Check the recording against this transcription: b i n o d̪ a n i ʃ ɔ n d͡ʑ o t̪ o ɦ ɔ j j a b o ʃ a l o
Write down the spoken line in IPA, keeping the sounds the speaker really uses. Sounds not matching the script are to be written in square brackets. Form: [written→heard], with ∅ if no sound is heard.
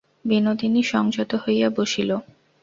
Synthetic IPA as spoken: b i n o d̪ [a→i] n i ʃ ɔ [n→ŋ] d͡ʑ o t̪ o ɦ [ɔ→o] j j a b o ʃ [a→i] l o